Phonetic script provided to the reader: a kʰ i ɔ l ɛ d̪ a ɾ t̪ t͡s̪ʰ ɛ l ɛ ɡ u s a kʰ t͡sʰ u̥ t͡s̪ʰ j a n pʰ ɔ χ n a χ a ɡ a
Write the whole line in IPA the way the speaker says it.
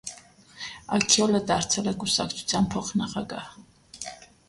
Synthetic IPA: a kʰ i ɔ l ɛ d̪ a ɾ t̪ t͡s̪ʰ ɛ l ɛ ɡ u s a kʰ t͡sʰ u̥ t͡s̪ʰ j a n pʰ ɔ χ n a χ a ɡ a